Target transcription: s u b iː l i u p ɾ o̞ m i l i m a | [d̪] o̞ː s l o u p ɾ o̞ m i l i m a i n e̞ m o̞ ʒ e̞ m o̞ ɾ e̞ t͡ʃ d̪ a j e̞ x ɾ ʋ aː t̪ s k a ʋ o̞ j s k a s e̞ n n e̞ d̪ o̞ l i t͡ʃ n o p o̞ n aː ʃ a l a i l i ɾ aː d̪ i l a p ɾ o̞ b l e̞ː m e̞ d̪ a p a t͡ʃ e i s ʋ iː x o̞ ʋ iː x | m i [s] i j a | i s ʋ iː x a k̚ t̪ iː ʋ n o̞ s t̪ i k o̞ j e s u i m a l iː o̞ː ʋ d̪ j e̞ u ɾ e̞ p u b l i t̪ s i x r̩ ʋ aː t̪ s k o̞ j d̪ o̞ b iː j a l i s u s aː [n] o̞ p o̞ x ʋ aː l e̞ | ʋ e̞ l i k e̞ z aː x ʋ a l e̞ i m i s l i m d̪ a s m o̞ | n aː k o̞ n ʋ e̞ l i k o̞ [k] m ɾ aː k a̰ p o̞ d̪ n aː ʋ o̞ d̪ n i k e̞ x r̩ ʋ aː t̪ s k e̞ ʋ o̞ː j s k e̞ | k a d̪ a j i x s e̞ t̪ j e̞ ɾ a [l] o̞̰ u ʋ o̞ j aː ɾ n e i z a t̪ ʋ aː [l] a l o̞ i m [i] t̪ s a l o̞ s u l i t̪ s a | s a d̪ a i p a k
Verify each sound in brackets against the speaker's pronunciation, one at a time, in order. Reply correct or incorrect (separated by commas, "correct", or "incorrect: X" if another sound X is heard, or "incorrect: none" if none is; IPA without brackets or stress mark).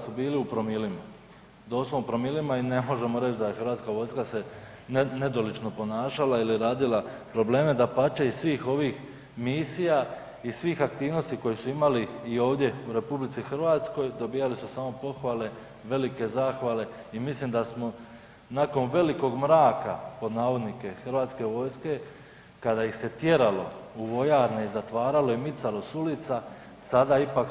correct, correct, incorrect: m, incorrect: ɡ, correct, incorrect: ɾ, correct